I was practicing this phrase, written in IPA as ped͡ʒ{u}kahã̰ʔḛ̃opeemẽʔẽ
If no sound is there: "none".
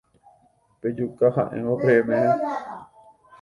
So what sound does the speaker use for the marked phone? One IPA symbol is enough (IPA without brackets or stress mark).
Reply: u